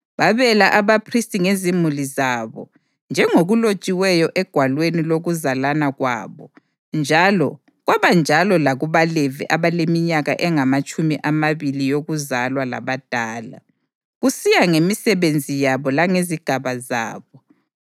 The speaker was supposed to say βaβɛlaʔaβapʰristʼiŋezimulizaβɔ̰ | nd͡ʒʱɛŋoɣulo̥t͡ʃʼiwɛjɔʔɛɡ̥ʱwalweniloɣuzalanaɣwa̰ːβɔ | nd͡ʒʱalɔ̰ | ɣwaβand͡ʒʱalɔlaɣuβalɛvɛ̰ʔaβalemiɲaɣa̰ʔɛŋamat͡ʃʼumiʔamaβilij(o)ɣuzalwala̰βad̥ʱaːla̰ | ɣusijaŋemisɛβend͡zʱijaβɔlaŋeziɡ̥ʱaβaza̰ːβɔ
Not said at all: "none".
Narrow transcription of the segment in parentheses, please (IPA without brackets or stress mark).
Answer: o